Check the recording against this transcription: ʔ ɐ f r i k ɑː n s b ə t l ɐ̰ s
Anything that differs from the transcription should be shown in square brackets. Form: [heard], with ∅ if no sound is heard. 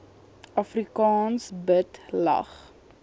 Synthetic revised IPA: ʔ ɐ f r i k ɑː n s b ə t l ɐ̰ [χ]